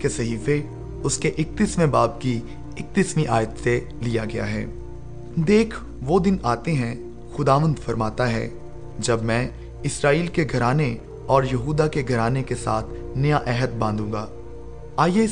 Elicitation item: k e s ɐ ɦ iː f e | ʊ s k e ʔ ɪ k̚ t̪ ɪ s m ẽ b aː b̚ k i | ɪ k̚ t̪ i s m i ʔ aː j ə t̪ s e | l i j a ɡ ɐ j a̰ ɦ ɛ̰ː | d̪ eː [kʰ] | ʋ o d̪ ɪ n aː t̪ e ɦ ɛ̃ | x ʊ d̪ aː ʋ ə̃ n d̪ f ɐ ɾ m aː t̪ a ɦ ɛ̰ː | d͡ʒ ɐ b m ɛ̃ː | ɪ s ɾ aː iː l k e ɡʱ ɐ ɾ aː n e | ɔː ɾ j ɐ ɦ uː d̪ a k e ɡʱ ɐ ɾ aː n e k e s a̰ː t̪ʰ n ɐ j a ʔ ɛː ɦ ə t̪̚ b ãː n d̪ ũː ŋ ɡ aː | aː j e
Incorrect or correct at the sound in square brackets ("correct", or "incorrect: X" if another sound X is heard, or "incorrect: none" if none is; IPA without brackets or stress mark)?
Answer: correct